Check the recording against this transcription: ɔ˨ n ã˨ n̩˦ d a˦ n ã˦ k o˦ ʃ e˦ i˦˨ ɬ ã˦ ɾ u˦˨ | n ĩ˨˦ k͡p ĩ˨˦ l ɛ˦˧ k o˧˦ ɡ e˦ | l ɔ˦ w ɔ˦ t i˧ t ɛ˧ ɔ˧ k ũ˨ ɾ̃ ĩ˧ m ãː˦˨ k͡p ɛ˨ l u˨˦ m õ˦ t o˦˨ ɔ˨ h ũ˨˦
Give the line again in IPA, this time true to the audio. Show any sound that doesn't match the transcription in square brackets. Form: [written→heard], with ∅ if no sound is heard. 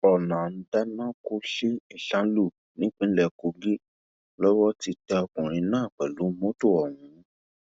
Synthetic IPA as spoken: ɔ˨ n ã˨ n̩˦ d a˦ n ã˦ k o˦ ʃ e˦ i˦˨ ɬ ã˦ [ɾ→l] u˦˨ | n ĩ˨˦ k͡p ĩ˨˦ l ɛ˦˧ k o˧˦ ɡ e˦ | l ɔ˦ w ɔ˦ t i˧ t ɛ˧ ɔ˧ k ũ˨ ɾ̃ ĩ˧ [m→n] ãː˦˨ k͡p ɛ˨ l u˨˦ m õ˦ t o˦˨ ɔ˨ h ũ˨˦